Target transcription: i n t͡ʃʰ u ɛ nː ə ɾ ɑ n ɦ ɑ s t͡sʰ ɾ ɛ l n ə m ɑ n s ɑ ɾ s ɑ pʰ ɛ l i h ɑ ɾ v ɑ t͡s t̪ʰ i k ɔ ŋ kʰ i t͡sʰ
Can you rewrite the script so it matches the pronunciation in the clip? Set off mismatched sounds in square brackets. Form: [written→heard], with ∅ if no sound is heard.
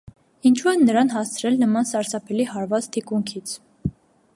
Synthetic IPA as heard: i n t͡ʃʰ u ɛ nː ə ɾ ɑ n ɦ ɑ s t͡sʰ ɾ ɛ l n ə m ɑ n s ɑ ɾ s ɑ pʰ ɛ l i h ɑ ɾ v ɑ t͡s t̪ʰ i k [ɔ→u] ŋ kʰ i t͡sʰ